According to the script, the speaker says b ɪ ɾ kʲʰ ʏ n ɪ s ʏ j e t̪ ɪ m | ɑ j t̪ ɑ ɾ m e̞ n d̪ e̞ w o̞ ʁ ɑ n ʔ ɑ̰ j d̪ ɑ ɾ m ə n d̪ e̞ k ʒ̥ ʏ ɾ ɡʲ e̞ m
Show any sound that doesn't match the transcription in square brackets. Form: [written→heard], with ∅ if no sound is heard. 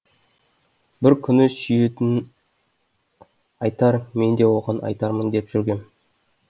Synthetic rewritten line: b ɪ ɾ kʲʰ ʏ n ɪ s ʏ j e t̪ ɪ [m→n] | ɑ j t̪ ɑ ɾ m e̞ n d̪ e̞ w o̞ ʁ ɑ n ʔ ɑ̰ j [d̪→t̪] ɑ ɾ m ə n d̪ e̞ [k→p] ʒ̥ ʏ ɾ ɡʲ e̞ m